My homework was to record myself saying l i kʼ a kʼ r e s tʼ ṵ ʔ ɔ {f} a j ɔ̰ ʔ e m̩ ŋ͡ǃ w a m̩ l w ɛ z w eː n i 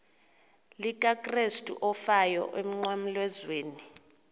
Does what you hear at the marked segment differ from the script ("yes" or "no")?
no